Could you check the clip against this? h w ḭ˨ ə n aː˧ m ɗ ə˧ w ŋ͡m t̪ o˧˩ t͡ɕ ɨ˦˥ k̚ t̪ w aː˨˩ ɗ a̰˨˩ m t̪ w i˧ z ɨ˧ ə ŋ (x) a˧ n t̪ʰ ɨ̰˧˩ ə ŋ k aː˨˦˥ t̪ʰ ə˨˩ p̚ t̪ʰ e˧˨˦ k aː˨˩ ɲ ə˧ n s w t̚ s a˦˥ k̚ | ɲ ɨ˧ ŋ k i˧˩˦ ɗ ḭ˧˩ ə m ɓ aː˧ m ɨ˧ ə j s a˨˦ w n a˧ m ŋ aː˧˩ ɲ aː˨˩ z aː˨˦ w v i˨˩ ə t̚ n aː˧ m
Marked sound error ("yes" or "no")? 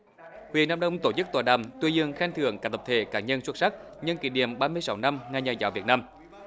no